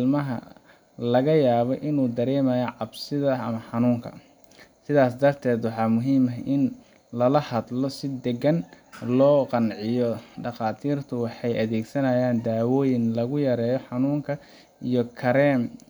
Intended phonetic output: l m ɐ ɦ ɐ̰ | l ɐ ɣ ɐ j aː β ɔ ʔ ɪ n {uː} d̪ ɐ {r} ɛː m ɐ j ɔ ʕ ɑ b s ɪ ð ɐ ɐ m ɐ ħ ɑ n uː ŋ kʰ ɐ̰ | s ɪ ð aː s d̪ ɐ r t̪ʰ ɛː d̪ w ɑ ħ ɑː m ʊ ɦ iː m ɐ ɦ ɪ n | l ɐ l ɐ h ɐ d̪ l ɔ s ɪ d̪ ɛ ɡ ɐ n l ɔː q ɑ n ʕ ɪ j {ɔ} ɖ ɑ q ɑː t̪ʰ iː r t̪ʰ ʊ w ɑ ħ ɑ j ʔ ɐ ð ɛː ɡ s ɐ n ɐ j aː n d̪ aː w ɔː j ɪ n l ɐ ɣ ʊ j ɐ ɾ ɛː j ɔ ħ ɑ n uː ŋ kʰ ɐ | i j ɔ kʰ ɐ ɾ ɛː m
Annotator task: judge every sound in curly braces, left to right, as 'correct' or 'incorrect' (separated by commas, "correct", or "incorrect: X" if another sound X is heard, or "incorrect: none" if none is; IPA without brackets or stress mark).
correct, incorrect: ɾ, correct